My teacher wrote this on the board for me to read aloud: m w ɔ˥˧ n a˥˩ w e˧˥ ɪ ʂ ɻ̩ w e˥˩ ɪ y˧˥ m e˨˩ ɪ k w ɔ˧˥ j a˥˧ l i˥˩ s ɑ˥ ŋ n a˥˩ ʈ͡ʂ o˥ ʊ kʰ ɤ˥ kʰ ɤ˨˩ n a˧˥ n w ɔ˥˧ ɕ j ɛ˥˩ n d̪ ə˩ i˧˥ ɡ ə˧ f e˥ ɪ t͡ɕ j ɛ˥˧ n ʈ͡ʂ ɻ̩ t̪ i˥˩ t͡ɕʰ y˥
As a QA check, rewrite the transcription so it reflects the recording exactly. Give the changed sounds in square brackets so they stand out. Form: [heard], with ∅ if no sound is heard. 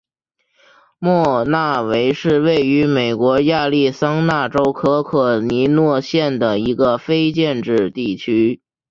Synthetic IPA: m w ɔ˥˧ n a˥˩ w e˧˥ ɪ ʂ ɻ̩ w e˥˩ ɪ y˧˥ m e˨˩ ɪ k w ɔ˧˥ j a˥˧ l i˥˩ s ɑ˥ ŋ n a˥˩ ʈ͡ʂ o˥ ʊ kʰ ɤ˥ kʰ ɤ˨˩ n [i˧˥] n w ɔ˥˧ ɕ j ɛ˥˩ n d̪ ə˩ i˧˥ ɡ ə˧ f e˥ ɪ t͡ɕ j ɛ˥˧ n ʈ͡ʂ ɻ̩ t̪ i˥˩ t͡ɕʰ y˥